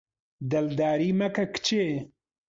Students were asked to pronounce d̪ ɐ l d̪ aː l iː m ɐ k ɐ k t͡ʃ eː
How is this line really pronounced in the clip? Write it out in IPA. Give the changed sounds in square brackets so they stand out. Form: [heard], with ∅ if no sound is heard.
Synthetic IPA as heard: d̪ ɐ l d̪ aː [ɾ] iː m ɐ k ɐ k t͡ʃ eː